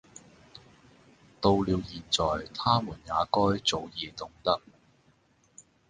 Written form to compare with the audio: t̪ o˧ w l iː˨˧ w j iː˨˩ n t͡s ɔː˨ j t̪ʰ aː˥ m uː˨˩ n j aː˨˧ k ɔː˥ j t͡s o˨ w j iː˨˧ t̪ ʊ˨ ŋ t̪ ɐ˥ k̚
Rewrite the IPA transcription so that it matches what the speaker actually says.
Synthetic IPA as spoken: t̪ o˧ w l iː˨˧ w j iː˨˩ n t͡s ɔː˨ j t̪ʰ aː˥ m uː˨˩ n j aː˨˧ k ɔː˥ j t͡s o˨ w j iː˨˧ t̪ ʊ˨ ŋ t̪ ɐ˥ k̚